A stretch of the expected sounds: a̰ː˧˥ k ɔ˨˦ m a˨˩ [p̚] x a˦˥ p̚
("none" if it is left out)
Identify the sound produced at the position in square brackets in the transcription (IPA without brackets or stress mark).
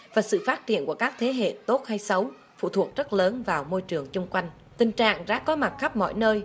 t̚